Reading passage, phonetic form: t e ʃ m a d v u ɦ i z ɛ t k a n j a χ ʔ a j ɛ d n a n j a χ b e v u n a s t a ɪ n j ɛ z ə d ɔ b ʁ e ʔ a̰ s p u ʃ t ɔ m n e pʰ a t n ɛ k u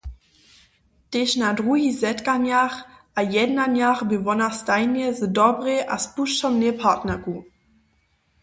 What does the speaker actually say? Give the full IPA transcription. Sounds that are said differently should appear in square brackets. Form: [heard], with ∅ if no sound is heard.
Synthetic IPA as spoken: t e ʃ [n] a d [ʁ] u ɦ i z ɛ t k a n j a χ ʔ a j ɛ d n a n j a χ b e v [ɔ] n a s t a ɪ n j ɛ z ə d ɔ b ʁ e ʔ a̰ s p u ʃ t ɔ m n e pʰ a t n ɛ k u